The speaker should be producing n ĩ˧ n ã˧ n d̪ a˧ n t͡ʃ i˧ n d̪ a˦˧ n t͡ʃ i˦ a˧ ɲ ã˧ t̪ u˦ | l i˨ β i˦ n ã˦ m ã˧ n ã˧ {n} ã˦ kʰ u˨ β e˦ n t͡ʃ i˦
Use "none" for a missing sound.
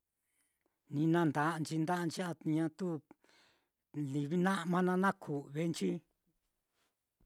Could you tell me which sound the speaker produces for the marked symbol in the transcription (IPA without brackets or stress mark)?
n